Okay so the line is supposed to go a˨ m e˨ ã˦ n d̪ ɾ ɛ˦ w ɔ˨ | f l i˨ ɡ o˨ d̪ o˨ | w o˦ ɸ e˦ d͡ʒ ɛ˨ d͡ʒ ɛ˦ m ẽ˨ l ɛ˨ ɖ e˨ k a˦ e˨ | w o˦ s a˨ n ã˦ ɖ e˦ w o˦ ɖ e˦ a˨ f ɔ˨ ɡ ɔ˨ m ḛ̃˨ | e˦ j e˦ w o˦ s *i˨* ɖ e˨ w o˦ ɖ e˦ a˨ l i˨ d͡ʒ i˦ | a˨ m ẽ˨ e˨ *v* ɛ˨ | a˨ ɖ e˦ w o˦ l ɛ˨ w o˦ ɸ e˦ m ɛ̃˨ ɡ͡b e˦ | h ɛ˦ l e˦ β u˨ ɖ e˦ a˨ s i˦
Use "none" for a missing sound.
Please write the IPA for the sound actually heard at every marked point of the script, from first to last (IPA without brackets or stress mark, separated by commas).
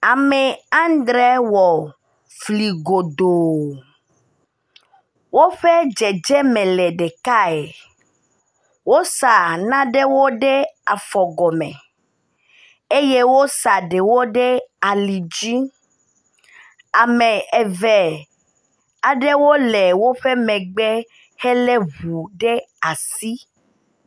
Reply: a˨, v